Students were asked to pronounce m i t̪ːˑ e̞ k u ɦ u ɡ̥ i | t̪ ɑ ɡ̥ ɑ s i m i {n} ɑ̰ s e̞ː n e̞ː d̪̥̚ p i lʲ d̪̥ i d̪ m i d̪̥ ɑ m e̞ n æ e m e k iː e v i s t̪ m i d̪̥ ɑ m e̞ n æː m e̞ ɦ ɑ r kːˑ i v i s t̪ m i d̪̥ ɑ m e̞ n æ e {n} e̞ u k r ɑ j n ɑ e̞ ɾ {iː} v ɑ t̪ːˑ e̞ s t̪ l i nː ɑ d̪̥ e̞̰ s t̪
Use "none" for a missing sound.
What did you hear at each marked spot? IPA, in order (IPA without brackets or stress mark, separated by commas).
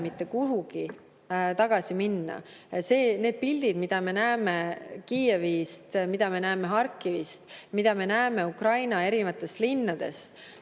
nː, m, i